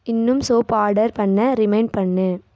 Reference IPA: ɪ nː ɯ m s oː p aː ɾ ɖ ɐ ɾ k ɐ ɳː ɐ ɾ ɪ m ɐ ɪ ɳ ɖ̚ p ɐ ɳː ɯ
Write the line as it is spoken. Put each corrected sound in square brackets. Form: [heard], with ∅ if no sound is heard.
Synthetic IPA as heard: ɪ nː ɯ m s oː p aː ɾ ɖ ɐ ɾ [p] ɐ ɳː ɐ ɾ ɪ m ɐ ɪ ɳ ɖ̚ p ɐ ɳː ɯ